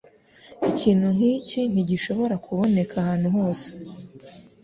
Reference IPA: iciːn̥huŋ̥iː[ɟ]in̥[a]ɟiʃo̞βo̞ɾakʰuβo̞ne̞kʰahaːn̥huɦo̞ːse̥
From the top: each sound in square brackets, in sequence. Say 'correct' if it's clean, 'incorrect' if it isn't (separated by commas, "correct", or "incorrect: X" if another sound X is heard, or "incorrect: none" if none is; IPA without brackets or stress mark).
incorrect: c, incorrect: i